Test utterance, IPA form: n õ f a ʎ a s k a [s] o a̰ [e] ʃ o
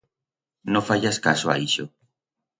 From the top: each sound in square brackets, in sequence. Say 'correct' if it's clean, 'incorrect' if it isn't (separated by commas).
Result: correct, incorrect